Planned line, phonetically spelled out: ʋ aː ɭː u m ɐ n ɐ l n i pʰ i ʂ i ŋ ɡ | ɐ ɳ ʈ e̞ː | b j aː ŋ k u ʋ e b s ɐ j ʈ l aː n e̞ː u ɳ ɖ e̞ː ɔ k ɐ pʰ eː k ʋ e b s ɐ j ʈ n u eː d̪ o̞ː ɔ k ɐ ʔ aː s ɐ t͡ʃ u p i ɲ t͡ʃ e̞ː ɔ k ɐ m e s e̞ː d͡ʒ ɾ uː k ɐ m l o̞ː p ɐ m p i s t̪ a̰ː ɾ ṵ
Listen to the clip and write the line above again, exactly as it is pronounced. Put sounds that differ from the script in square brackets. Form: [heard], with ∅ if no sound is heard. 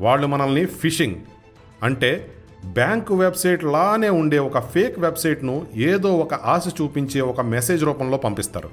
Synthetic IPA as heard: ʋ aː ɭː u m ɐ n ɐ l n i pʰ i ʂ i ŋ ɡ | ɐ ɳ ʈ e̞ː | b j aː ŋ k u ʋ e b s ɐ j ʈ l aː n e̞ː u ɳ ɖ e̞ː ɔ k ɐ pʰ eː k ʋ e b s ɐ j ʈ n u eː d̪ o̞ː ɔ k ɐ ʔ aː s ɐ t͡ʃ [uː] p i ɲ t͡ʃ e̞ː ɔ k ɐ m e s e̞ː d͡ʒ ɾ uː [p] ɐ m l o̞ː p ɐ m p i s t̪ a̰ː ɾ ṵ